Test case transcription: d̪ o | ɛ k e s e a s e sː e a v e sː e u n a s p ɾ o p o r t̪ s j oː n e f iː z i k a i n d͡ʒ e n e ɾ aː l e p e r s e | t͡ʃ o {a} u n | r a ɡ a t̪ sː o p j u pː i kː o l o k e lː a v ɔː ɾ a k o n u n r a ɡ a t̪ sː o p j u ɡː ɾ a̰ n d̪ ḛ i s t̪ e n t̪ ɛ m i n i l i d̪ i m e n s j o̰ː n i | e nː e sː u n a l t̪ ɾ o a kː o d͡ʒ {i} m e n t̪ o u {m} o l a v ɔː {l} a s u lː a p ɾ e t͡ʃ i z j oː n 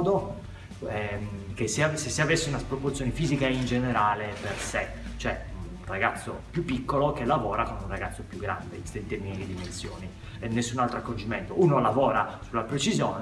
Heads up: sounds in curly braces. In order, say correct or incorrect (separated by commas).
incorrect, correct, incorrect, incorrect